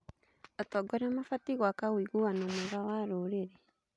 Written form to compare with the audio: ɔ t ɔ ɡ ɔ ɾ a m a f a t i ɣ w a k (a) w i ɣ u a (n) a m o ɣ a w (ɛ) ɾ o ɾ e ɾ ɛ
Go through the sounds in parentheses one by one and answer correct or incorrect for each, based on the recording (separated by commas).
correct, correct, incorrect